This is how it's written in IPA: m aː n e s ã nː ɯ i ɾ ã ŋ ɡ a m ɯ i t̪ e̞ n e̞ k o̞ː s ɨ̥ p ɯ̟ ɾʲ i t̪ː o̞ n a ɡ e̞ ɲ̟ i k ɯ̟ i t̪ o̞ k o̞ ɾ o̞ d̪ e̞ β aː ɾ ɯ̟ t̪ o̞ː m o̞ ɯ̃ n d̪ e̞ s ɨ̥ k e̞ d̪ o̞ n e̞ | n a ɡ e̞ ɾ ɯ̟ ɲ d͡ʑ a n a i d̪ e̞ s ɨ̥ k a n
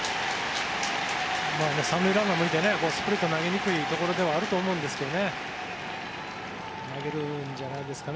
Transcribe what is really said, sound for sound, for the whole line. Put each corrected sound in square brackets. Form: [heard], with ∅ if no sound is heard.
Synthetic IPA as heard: m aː n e s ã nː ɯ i ɾ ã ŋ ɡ a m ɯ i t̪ e̞ n e̞ k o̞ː s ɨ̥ p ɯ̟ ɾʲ i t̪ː o̞ n a ɡ e̞ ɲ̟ i k ɯ̟ i t̪ o̞ k o̞ ɾ o̞ d̪ e̞ β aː ɾ ɯ̟ t̪ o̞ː m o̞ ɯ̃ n d̪ e̞ s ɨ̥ k e̞ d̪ o̞ n e̞ | n a ɡ e̞ ɾ ɯ̟ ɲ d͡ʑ a n a i d̪ e̞ s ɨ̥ k a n

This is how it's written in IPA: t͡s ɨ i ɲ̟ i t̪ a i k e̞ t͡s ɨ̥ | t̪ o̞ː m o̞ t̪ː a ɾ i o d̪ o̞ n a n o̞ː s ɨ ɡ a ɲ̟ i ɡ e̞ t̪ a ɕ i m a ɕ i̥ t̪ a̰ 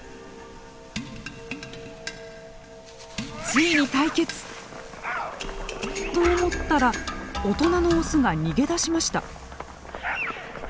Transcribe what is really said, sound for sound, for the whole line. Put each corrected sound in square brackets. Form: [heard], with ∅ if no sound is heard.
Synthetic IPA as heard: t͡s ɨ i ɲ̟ i t̪ a i k e̞ t͡s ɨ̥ | t̪ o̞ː m o̞ t̪ː a ɾ [a] o [t̪] o̞ n a n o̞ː s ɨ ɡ a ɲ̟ i ɡ e̞ [d̪] a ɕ i m a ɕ i̥ t̪ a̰

